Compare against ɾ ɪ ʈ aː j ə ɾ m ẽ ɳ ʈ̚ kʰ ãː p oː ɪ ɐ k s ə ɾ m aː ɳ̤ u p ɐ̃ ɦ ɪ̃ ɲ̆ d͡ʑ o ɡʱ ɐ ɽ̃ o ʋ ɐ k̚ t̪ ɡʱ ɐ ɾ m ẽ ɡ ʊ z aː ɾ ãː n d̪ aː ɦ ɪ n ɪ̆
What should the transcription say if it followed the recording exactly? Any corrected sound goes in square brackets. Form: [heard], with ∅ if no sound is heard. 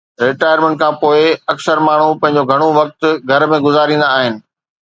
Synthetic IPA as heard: ɾ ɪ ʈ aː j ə ɾ m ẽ ɳ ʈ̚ kʰ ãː p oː ɪ ɐ k s ə ɾ m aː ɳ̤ u p ɐ̃ ɦ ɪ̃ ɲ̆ d͡ʑ o ɡʱ ɐ ɽ̃ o ʋ ɐ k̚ t̪ ɡʱ ɐ ɾ m ẽ ɡ ʊ z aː ɾ [ĩː] n d̪ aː ɦ ɪ n ɪ̆

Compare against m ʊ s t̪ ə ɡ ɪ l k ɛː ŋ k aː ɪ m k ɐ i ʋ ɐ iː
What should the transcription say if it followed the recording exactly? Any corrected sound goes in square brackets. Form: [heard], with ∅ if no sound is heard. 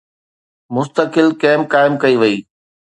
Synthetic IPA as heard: m ʊ s t̪ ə [k] ɪ l k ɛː [m] k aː ɪ m k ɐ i ʋ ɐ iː

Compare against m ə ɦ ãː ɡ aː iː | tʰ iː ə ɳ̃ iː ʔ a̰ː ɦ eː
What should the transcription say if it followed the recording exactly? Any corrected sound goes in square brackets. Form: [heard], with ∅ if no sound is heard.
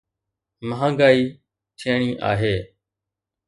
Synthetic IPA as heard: m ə ɦ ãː ɡ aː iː | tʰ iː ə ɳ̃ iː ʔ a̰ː ɦ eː

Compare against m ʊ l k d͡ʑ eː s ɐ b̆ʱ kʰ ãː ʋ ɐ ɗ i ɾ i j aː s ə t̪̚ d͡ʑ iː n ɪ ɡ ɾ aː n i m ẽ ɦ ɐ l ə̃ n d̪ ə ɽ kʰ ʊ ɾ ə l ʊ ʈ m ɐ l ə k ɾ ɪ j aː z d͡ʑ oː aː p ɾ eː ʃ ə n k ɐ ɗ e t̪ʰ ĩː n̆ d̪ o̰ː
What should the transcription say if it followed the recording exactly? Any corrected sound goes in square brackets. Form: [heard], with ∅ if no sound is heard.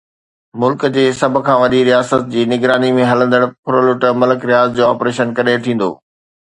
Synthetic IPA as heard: m ʊ l k d͡ʑ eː s ɐ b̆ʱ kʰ ãː ʋ ɐ ɗ i ɾ i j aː s ə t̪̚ d͡ʑ iː n ɪ ɡ ɾ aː n i m ẽ ɦ ɐ l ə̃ n d̪ ə ɽ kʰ ʊ ɾ ə l ʊ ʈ m ɐ l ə k ɾ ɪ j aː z d͡ʑ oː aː p ɾ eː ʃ ə n k ɐ ɗ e t̪ʰ ĩː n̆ d̪ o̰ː

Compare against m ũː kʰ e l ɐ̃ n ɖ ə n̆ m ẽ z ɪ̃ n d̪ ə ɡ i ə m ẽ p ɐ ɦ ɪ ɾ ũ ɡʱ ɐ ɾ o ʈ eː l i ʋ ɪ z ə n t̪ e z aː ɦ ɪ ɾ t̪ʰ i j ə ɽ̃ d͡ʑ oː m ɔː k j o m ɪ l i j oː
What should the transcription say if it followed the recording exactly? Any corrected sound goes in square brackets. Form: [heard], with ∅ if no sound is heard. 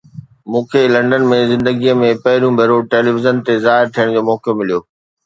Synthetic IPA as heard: m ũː kʰ e l ɐ̃ [ɳ] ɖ ə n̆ m ẽ z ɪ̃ n d̪ ə ɡ i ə m ẽ p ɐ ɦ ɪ ɾ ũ [bʱ] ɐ ɾ o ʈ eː l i ʋ ɪ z ə n t̪ e z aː ɦ ɪ ɾ t̪ʰ i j ə ɽ̃ d͡ʑ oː m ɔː k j o m ɪ l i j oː

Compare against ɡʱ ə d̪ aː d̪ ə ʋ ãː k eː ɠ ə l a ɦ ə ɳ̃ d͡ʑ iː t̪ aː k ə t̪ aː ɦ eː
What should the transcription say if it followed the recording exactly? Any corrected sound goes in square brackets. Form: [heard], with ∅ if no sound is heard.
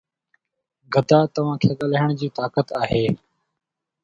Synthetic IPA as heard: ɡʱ ə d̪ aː [t̪] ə ʋ ãː [kʰ] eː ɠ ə l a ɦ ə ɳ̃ d͡ʑ iː t̪ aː k ə t̪ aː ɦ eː

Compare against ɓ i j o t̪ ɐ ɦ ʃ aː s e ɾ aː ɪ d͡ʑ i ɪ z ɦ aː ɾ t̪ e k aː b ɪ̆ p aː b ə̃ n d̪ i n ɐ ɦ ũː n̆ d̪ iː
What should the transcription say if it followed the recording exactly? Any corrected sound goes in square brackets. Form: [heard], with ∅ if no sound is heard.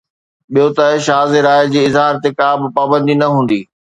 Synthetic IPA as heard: ɓ i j o t̪ ɐ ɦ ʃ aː [z] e ɾ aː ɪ d͡ʑ [iː] ɪ z ɦ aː ɾ t̪ e k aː b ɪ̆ p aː b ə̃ n d̪ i n ɐ ɦ ũː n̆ d̪ iː

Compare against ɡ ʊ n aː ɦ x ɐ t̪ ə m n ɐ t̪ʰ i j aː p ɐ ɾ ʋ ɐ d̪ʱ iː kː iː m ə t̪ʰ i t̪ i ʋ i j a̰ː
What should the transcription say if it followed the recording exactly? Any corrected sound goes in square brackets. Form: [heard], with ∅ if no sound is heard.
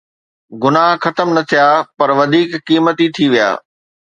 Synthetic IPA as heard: ɡ ʊ n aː ɦ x ɐ t̪ ə m n ɐ t̪ʰ i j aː p ɐ ɾ ʋ ɐ d̪ʱ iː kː iː m ə [t̪] i [t̪ʰ] i ʋ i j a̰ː

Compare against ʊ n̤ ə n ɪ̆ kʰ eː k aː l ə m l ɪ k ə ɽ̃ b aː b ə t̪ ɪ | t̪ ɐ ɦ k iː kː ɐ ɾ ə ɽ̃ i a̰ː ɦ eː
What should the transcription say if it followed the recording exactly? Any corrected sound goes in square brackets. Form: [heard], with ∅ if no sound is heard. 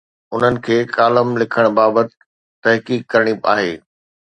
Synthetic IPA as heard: ʊ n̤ ə n ɪ̆ kʰ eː k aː l ə m l ɪ [kʰ] ə ɽ̃ b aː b ə t̪ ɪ | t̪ ɐ ɦ k iː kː ɐ ɾ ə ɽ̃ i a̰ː ɦ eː

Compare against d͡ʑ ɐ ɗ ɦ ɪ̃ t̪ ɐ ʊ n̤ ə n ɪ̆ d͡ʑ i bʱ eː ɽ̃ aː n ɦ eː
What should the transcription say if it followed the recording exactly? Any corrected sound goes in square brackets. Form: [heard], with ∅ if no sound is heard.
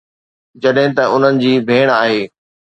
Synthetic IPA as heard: d͡ʑ ɐ ɗ ɦ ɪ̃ t̪ ɐ ʊ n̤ ə n ɪ̆ d͡ʑ [iː] bʱ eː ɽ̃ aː [∅] ɦ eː

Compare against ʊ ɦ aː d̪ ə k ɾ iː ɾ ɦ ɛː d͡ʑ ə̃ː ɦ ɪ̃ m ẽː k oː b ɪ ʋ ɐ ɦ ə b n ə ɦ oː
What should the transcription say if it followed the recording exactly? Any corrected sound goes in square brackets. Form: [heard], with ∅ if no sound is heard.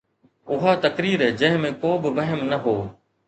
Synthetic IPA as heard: ʊ ɦ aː [t̪] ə k ɾ iː ɾ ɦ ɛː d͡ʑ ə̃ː ɦ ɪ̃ m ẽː k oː b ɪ ʋ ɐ ɦ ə [m] n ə ɦ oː

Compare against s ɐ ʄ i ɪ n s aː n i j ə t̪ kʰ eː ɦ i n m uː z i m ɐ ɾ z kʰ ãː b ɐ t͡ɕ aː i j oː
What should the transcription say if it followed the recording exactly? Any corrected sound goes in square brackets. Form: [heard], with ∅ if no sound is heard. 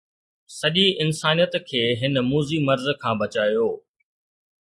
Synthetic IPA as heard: s ɐ ʄ i ɪ n s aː n i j ə t̪ kʰ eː ɦ [ɪ] n m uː z i m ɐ ɾ z kʰ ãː b ɐ t͡ɕ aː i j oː

